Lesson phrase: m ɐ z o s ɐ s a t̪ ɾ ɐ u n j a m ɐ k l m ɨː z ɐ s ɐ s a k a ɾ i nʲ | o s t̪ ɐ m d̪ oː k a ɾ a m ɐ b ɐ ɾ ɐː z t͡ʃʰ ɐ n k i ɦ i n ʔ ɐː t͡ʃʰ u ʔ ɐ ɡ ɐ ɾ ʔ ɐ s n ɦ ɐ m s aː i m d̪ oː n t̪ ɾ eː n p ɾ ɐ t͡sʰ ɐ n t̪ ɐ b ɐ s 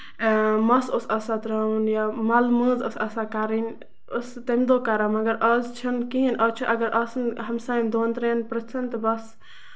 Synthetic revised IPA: m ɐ s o s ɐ s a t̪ ɾ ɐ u n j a m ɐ l m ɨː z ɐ s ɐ s a k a ɾ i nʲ | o s t̪ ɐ m d̪ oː k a ɾ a m ɐ ɡ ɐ ɾ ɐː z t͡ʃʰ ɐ n k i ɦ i n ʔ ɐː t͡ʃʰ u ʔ ɐ ɡ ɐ ɾ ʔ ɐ s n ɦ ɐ m s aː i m d̪ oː n t̪ ɾ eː n p ɾ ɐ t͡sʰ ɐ n t̪ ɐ b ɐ s